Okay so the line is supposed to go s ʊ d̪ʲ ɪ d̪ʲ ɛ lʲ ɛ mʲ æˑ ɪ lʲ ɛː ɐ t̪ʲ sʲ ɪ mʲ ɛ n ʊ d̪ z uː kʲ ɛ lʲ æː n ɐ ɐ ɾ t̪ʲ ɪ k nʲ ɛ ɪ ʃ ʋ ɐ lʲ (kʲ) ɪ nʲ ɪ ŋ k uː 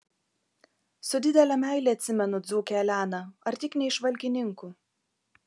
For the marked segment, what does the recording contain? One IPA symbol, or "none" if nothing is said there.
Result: kʲ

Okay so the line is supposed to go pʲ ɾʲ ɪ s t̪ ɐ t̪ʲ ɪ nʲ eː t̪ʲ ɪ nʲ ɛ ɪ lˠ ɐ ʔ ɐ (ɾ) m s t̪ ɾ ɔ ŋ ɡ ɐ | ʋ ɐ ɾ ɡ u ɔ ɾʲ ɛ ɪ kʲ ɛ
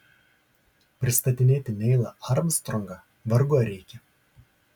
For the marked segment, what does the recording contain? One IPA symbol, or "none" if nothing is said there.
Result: ɾ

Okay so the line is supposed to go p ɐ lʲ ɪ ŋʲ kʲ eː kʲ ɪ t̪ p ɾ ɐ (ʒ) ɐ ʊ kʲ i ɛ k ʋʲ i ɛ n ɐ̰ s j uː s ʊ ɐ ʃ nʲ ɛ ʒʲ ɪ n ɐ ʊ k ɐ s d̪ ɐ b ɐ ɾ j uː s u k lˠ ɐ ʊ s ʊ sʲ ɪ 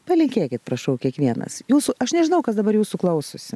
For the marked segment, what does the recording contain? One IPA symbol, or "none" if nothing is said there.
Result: ʃ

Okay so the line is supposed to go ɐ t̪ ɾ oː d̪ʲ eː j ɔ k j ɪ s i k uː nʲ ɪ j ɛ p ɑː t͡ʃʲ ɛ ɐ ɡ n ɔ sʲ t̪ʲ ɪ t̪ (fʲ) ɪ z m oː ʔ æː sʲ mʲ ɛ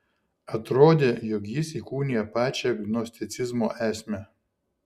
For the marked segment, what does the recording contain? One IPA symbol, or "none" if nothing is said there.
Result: sʲ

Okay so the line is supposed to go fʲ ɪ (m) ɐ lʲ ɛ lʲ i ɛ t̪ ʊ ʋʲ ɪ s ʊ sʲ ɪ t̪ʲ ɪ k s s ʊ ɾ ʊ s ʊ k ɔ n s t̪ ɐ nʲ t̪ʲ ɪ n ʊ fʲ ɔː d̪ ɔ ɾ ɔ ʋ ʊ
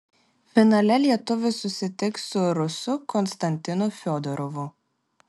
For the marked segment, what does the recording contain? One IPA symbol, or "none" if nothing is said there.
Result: n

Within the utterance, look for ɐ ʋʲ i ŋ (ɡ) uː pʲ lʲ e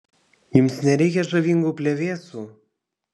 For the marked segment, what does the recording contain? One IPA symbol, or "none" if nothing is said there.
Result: ɡ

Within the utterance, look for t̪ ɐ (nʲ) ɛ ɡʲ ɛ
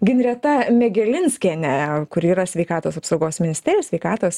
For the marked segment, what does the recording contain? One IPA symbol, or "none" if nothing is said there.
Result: mʲ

